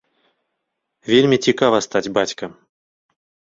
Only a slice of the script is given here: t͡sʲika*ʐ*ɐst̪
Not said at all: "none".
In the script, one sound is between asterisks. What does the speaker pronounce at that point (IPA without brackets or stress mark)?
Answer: v